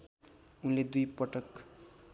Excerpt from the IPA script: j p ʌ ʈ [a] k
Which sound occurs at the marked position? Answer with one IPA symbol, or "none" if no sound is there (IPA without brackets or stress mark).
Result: ʌ